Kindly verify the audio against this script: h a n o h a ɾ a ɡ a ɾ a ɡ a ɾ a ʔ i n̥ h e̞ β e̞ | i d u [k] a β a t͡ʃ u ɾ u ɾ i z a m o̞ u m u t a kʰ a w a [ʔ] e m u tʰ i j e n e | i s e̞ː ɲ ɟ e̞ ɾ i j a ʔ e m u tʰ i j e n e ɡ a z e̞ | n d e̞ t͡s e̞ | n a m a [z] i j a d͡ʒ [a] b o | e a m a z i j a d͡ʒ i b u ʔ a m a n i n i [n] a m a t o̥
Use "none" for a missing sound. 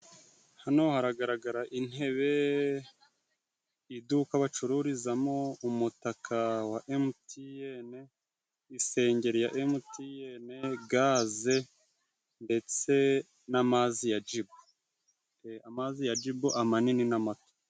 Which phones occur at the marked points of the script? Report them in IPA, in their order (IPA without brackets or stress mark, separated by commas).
k, ʔ, z, i, n